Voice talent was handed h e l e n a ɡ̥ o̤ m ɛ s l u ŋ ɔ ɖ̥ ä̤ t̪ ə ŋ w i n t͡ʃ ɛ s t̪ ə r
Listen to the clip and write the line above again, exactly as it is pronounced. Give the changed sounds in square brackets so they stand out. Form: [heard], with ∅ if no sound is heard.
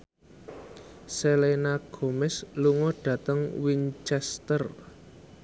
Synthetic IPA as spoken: [s] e l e n a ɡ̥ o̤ m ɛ s l u ŋ ɔ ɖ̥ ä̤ t̪ ə ŋ w i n t͡ʃ ɛ s t̪ ə r

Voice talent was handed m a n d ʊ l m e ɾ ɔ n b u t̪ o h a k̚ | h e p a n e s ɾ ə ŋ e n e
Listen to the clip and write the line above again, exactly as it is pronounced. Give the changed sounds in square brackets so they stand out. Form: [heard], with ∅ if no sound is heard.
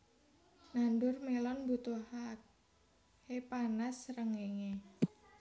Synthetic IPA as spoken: [n] a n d ʊ [r] m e [l] ɔ n b u t̪ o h a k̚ | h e p a n [a] s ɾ ə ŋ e [ŋ] e

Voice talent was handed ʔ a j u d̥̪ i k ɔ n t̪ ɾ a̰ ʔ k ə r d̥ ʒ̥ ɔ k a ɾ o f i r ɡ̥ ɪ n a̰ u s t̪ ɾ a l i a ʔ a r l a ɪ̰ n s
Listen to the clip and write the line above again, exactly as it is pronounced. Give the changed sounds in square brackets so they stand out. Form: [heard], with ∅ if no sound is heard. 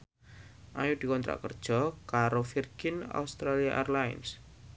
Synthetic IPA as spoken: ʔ a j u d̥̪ i k ɔ n t̪ ɾ a̰ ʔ k ə r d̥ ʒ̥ ɔ k a ɾ o f i r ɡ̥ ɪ n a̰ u s t̪ ɾ a l i a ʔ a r l a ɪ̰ n s

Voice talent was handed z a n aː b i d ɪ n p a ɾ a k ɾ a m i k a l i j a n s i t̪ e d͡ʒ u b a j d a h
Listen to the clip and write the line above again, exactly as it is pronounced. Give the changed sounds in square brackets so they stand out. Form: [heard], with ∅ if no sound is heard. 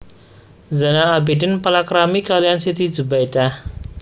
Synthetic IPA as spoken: z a n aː b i d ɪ n p a [l] a k ɾ a m i k a l i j a n s i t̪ [i] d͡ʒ u b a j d a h

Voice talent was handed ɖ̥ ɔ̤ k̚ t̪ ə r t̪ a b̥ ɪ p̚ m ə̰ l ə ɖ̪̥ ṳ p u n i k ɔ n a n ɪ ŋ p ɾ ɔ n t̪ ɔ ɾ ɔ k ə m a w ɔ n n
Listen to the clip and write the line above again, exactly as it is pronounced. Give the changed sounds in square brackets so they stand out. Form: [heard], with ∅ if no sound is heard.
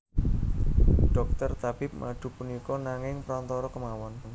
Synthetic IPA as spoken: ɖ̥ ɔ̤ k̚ t̪ ə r t̪ a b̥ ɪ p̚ m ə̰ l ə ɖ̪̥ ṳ p u n i k ɔ n a [ŋ] ɪ ŋ p ɾ ɔ n t̪ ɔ ɾ ɔ k ə m a w ɔ n n

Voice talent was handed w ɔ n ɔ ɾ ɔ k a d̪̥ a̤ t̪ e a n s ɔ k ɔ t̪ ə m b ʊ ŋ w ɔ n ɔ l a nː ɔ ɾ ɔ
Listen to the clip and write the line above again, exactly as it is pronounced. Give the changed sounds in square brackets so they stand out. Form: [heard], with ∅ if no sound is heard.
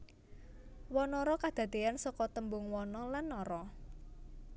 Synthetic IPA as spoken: w ɔ n ɔ ɾ ɔ k a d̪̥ a̤ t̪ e a n s ɔ k ɔ t̪ ə m b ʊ ŋ w ɔ n ɔ l a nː ɔ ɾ ɔ

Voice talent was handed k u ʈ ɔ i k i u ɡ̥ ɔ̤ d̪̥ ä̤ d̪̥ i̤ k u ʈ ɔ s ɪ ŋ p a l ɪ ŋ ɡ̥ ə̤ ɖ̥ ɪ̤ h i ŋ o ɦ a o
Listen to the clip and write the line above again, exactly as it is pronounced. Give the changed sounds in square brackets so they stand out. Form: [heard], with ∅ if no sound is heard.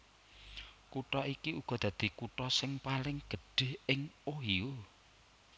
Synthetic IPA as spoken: k u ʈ ɔ i k i u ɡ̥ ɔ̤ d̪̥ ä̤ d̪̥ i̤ k u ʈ ɔ s ɪ ŋ p a l ɪ ŋ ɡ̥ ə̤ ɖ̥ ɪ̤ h [ɪ] ŋ o ɦ [i] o

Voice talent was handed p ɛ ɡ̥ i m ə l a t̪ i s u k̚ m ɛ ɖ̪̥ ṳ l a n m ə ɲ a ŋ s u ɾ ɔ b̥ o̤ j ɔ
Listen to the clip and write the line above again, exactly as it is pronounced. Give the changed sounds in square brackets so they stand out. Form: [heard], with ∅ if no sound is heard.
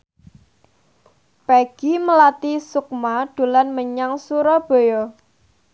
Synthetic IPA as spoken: p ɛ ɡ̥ i m ə l a t̪ i s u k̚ m [a] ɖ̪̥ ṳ l a n m ə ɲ a ŋ s u ɾ ɔ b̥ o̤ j ɔ

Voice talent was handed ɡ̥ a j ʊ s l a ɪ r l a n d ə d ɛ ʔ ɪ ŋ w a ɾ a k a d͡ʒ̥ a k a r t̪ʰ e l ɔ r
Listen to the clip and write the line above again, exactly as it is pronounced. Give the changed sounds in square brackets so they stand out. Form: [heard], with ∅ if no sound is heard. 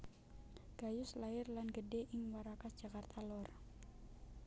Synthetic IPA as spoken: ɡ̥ a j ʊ s l a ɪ r l a n [ɡ] ə d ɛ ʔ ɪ ŋ w a ɾ a k a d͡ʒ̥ a k a r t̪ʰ [a] l ɔ r

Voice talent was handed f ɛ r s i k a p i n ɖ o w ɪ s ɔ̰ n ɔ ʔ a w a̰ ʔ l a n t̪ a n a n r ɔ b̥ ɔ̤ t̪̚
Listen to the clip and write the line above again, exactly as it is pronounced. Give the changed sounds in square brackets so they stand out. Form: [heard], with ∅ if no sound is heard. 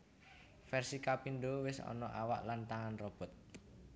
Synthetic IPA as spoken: f ɛ r s i k a p i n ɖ o w ɪ s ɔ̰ n ɔ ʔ a w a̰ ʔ l a n t̪ a [ŋ] a n r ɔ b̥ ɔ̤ t̪̚

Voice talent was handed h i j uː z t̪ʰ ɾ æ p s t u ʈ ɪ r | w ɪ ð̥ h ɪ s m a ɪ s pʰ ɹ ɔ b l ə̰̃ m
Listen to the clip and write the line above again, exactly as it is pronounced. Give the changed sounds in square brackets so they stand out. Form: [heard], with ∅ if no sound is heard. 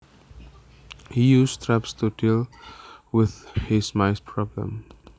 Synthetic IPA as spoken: h i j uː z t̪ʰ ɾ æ p s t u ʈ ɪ [l] | w ɪ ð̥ h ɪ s m a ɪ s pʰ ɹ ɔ b l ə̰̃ m

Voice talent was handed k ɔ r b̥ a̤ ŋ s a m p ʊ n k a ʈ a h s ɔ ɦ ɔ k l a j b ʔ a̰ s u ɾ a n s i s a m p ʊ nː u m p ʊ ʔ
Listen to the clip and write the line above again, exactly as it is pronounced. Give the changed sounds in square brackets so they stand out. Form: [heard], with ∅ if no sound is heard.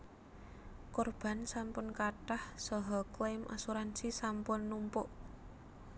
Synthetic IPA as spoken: k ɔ r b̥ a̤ [n] s a m p ʊ n k a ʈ a h s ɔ ɦ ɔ k l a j [m] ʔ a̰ s u ɾ a n s i s a m p ʊ nː u m p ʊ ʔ

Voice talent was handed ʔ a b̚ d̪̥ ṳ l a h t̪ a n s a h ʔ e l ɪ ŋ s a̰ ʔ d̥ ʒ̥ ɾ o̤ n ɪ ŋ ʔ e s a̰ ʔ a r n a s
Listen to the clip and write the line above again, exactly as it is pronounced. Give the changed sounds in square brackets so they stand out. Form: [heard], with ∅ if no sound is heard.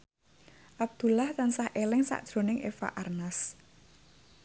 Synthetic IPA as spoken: ʔ a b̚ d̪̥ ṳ l a h t̪ a n s a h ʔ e l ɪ ŋ s a̰ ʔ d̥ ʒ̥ ɾ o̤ n ɪ ŋ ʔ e [f] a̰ ʔ a r n a s

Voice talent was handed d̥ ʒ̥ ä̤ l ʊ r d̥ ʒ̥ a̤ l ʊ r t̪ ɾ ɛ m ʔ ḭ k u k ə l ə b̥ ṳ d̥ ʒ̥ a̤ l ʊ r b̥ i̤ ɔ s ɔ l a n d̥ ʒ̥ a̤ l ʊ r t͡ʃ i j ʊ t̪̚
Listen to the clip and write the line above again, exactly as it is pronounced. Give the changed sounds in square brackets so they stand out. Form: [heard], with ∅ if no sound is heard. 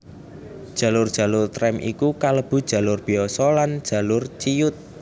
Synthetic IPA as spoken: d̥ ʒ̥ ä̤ l ʊ r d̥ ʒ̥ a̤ l ʊ r t̪ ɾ ɛ m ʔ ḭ k u k [a] l ə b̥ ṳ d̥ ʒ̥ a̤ l ʊ r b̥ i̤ ɔ s ɔ l a n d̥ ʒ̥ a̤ l ʊ r t͡ʃ i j ʊ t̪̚

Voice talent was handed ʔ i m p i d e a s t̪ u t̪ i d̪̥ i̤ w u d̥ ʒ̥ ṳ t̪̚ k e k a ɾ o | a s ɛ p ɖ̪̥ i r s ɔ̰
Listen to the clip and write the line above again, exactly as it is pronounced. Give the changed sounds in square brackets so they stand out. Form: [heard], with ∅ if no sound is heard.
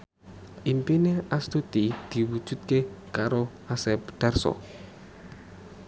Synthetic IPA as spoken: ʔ i m p i [n] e a s t̪ u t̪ i d̪̥ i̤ w u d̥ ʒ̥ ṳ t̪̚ k e k a ɾ o | a s ɛ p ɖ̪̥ [a] r s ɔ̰

